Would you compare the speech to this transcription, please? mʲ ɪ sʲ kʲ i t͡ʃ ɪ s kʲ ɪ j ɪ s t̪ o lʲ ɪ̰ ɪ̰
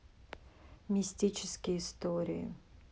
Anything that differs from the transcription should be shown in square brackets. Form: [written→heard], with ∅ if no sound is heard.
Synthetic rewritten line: mʲ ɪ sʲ [kʲ→tʲ] i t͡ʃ ɪ s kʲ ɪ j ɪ s t̪ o [lʲ→ɾʲ] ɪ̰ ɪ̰